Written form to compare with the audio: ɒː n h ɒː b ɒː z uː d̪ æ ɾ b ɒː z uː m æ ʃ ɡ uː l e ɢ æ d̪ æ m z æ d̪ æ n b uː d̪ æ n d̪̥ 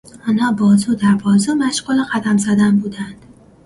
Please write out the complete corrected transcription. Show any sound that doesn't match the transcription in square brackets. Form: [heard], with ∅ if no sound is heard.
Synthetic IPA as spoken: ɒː n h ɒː b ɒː z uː d̪ æ ɾ b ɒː z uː m æ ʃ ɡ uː l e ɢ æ d̪ æ m z æ d̪ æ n b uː d̪ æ n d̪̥